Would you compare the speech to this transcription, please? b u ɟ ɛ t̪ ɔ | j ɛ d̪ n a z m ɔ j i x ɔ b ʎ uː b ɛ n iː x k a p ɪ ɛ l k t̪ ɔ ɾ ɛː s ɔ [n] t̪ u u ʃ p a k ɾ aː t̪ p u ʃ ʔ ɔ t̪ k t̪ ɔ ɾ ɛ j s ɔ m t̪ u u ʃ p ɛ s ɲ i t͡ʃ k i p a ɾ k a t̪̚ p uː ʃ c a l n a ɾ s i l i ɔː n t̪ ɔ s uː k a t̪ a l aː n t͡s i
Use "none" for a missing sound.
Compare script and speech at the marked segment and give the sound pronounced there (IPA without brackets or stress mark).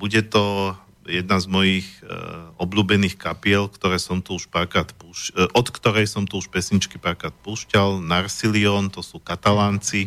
m